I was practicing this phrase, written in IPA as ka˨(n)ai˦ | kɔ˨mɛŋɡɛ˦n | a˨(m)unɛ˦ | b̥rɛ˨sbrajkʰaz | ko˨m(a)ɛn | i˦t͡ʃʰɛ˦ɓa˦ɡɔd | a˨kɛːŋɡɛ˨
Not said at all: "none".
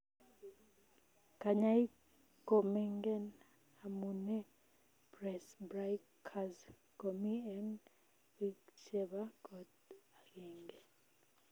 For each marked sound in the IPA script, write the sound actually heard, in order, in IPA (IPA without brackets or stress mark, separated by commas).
ɲ, m, i